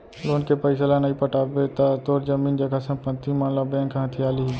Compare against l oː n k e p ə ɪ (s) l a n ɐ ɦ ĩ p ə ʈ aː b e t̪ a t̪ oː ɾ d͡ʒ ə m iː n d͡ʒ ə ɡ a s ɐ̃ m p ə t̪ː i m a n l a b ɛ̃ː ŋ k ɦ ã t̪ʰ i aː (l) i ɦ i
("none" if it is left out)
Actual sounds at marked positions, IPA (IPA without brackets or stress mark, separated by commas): s, l